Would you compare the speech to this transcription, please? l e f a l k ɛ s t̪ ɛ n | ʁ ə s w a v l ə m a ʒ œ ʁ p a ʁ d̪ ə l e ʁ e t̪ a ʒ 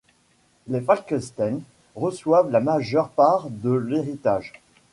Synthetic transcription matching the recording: l e f a l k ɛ s t̪ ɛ n | ʁ ə s w a v l a m a ʒ œ ʁ p a ʁ d̪ ə l e ʁ i t̪ a ʒ